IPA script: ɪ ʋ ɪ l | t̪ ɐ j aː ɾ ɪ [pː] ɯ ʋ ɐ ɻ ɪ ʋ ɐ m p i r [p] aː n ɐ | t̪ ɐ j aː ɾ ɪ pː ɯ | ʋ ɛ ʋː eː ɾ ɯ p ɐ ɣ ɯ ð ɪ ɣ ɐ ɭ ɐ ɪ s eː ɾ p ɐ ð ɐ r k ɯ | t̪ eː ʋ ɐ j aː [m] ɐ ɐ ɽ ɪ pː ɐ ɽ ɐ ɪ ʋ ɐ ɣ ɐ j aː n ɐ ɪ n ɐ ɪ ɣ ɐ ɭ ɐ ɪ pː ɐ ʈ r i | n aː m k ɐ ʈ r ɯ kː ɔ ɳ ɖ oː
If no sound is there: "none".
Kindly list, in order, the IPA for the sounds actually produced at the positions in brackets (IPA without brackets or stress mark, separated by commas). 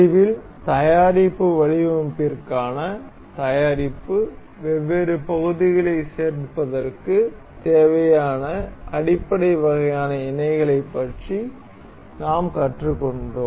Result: pː, k, n